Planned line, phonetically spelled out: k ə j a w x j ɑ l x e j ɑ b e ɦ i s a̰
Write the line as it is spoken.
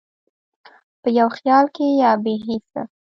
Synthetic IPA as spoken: p ə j a w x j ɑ l k e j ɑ b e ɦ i s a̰